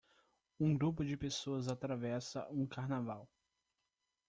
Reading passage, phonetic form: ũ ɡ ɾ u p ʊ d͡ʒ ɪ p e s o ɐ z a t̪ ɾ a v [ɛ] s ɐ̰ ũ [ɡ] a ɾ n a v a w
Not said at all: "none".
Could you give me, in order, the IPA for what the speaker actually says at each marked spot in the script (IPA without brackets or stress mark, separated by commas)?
ɛ, k